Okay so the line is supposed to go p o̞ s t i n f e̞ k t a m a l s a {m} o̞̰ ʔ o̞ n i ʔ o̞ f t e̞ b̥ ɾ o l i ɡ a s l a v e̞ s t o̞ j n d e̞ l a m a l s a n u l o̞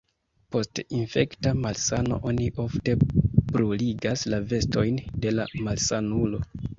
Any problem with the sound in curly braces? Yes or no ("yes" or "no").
yes